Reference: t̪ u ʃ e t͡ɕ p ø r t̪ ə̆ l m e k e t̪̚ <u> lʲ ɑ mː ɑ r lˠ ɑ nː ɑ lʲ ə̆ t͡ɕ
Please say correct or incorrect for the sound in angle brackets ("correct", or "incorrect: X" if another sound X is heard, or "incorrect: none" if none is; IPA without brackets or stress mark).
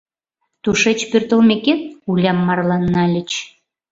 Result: correct